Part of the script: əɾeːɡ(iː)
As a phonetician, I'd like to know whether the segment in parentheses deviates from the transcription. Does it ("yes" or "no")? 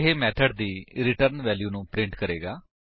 yes